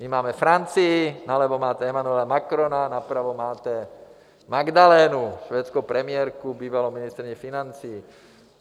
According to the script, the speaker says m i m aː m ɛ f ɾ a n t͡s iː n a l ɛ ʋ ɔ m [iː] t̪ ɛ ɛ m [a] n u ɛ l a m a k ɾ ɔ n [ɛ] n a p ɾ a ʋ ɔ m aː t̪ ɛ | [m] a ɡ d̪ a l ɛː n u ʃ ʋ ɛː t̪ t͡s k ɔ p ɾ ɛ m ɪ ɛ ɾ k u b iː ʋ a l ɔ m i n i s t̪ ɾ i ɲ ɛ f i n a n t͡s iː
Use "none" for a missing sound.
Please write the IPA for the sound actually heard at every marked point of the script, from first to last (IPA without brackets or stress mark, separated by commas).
aː, a, a, m